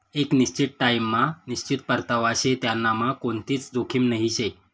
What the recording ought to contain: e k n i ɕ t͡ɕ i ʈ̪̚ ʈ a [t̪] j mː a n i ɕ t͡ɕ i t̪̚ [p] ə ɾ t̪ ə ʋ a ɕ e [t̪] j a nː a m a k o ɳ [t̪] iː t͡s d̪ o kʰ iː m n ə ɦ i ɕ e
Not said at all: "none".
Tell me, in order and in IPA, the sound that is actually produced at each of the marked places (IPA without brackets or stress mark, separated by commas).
none, p, t̪, t̪